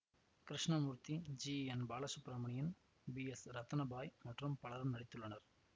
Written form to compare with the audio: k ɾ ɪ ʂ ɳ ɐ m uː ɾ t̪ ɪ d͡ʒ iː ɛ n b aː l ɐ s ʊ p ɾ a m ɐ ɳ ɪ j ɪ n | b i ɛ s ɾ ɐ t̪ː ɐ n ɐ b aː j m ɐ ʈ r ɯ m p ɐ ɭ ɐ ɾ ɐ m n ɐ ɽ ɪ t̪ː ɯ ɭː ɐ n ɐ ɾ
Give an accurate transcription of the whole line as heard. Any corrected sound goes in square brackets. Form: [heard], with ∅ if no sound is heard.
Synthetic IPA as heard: k ɾ ɪ ʂ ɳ ɐ m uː ɾ t̪ [i] d͡ʒ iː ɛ n b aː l ɐ s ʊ p ɾ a m ɐ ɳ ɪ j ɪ n | b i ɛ s ɾ ɐ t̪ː ɐ n ɐ b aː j m ɐ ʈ r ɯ m p ɐ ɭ ɐ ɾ ɐ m n ɐ ɽ ɪ t̪ː ɯ ɭː ɐ n ɐ ɾ